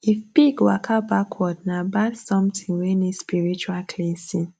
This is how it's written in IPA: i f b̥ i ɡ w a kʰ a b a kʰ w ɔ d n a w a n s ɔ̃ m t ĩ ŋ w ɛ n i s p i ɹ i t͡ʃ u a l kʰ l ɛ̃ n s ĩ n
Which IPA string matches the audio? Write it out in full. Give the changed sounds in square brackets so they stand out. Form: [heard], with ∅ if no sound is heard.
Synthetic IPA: i f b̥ i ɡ w a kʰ a b a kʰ w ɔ d n a [b] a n s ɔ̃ m t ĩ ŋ w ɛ n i s p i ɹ i t͡ʃ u a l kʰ l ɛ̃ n s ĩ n